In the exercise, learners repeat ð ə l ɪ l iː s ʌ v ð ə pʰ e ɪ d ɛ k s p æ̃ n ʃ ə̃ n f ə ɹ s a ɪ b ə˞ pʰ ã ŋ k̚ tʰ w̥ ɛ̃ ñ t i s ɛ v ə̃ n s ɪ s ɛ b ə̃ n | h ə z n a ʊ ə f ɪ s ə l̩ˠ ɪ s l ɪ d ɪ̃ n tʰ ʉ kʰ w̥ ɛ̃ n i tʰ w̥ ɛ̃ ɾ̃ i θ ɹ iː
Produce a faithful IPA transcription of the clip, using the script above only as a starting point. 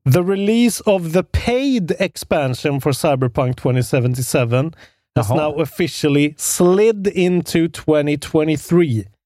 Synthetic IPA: ð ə ɹ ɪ l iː s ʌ v ð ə pʰ e ɪ d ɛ k s p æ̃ n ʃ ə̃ n f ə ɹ s a ɪ b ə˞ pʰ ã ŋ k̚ tʰ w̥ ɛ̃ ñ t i s ɛ v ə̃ n t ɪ s ɛ v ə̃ n | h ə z n a ʊ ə f ɪ ʃ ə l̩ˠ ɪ s l ɪ d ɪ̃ n tʰ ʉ tʰ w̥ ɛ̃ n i tʰ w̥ ɛ̃ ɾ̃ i θ ɹ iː